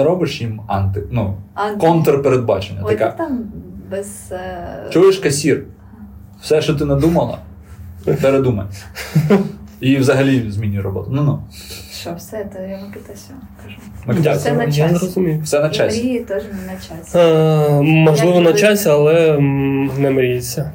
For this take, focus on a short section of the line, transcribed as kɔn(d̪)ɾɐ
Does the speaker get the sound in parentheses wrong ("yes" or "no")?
yes